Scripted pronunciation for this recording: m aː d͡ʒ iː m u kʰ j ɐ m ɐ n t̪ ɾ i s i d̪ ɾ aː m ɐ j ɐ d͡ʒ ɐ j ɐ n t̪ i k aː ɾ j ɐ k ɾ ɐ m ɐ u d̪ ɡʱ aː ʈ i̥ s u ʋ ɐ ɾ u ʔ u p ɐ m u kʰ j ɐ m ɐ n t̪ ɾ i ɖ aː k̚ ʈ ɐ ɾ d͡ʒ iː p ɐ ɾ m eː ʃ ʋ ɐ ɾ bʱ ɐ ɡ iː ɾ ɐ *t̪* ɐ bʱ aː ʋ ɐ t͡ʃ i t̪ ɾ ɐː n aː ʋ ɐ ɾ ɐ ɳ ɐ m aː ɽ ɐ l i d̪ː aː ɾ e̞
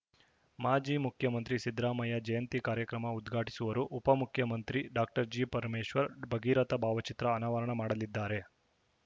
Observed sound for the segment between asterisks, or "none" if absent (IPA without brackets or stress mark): t̪